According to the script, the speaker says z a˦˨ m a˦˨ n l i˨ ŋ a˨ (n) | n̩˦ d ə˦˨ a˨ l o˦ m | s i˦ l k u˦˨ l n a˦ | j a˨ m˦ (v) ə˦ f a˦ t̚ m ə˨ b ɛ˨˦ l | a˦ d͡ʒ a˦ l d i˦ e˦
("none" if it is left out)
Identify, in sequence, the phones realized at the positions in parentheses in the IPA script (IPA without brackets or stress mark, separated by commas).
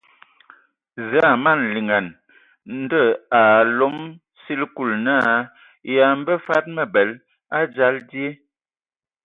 n, b